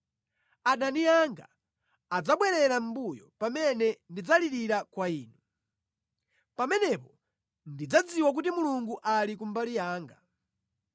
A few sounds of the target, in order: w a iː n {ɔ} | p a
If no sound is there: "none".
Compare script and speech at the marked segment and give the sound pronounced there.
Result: u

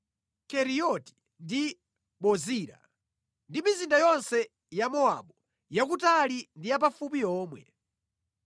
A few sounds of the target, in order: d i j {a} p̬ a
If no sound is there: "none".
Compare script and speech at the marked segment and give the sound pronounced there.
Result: a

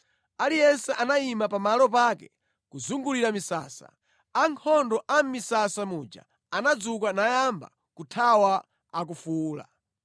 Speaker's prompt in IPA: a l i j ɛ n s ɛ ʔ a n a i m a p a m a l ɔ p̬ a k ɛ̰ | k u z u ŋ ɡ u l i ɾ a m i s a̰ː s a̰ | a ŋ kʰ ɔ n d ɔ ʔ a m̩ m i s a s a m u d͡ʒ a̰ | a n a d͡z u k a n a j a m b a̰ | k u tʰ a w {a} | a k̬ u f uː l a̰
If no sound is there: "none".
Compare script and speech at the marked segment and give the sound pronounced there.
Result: a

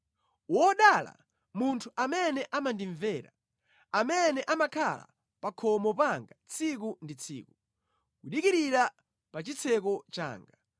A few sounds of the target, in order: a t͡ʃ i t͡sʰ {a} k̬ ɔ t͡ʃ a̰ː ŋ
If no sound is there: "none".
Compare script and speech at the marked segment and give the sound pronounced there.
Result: ɛ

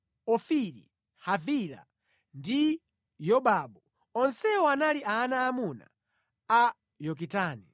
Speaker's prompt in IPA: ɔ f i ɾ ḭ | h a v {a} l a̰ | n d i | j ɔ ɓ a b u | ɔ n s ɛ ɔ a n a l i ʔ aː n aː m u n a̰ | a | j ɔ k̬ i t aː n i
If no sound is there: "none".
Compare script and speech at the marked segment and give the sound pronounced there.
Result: i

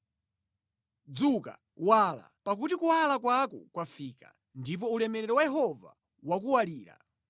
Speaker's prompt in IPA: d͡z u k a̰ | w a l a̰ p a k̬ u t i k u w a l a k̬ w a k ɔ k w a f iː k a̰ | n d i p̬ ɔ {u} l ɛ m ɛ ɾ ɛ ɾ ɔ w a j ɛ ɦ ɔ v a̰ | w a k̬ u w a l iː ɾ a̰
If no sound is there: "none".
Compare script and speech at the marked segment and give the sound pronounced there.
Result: u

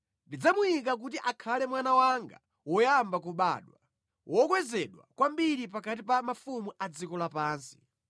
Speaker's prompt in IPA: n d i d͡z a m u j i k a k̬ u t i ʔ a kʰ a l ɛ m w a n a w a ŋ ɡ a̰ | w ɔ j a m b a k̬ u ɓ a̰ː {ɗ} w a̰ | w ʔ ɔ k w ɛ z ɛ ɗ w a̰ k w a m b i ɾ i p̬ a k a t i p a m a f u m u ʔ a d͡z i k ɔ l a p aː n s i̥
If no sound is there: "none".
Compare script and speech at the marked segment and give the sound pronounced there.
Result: ɗ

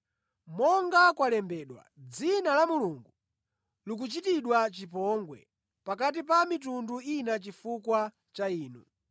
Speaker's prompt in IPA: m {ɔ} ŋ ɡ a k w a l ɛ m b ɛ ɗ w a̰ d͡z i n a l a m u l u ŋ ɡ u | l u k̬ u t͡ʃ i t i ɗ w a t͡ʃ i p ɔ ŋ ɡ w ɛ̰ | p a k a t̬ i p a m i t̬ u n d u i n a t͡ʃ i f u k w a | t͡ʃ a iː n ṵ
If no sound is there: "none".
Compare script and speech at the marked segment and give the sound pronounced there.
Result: ɔ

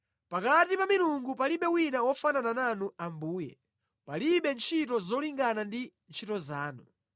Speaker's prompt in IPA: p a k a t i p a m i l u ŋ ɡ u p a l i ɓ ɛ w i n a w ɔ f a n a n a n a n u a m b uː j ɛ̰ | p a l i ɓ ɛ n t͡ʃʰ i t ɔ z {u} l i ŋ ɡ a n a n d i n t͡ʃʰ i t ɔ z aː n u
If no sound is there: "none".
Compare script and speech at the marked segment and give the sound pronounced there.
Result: ɔ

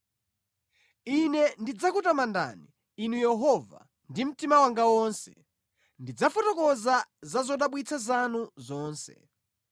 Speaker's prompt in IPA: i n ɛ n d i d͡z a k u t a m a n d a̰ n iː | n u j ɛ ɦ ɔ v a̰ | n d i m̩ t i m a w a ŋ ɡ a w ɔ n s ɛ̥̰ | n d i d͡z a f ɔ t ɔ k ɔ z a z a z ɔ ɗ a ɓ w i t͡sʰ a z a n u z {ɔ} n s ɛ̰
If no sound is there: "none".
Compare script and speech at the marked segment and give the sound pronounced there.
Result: ɔː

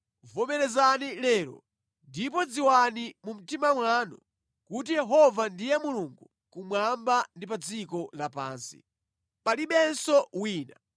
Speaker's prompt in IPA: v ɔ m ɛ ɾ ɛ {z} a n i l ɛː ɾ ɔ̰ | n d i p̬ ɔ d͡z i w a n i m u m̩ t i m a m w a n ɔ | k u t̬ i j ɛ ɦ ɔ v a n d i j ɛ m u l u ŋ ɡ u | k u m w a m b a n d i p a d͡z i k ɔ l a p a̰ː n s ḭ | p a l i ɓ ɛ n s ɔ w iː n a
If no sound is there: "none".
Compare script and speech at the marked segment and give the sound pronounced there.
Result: z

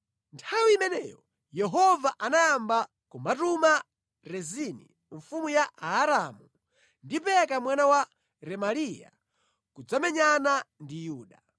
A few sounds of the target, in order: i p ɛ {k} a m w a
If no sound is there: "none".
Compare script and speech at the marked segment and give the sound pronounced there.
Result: k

